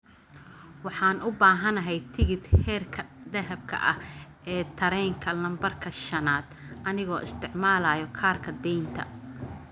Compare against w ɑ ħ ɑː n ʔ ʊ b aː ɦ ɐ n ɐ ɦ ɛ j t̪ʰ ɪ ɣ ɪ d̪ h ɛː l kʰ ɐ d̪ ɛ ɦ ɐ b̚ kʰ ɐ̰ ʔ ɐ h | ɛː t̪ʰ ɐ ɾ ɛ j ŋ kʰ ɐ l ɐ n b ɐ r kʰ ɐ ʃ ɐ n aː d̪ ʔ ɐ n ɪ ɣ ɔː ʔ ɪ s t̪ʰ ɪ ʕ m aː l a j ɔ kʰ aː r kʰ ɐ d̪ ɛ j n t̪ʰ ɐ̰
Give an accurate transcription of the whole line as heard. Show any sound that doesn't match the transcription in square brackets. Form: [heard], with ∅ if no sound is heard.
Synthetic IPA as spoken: w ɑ ħ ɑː n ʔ ʊ b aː ɦ ɐ n ɐ ɦ ɛ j t̪ʰ ɪ ɣ ɪ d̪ h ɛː [r] kʰ ɐ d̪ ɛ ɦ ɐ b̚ kʰ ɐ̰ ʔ ɐ h | ɛː t̪ʰ ɐ ɾ ɛ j ŋ kʰ ɐ l ɐ [m] b ɐ r kʰ ɐ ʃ ɐ n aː d̪ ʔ ɐ n ɪ ɣ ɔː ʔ ɪ s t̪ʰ ɪ ʕ m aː l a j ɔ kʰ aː r kʰ ɐ d̪ ɛ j n t̪ʰ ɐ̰